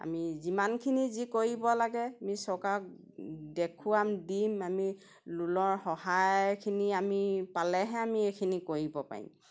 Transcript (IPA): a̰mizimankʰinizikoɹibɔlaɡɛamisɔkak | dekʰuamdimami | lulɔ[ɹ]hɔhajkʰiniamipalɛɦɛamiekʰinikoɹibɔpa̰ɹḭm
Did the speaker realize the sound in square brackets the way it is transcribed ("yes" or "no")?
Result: yes